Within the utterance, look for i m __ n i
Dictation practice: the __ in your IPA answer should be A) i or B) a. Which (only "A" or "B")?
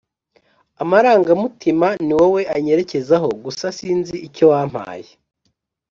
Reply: B